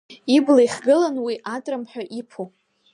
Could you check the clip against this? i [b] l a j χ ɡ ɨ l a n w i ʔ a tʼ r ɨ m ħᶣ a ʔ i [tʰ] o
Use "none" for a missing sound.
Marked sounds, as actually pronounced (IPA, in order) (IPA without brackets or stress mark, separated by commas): b, pʰ